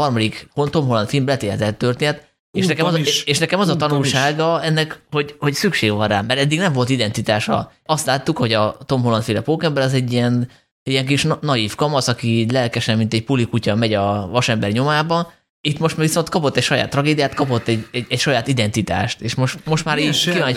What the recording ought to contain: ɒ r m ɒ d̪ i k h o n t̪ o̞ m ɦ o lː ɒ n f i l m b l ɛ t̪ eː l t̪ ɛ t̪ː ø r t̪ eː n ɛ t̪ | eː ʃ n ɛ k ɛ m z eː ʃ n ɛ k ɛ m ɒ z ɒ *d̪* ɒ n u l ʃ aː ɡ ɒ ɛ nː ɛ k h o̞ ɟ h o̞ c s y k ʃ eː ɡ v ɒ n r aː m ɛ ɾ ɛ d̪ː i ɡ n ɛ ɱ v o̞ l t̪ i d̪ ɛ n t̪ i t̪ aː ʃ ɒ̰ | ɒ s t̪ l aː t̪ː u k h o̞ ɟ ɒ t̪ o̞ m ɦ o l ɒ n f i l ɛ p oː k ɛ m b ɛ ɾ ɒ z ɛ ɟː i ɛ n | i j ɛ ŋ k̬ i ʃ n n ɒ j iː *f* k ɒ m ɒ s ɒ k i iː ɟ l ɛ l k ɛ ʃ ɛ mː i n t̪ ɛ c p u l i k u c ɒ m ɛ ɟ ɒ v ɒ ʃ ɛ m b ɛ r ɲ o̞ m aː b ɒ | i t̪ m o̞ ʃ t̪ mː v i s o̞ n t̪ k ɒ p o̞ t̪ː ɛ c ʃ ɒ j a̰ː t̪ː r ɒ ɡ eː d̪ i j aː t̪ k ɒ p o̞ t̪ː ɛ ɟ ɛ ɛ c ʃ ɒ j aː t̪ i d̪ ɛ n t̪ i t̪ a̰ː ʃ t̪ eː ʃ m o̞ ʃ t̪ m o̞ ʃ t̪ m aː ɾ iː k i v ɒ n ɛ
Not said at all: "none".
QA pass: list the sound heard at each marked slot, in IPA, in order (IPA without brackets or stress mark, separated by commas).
t̪, f